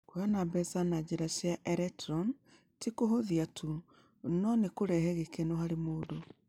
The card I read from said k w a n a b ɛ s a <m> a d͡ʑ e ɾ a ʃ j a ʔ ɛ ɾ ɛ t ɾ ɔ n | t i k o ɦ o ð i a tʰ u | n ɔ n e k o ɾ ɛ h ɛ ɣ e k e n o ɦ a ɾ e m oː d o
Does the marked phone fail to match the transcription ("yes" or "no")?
yes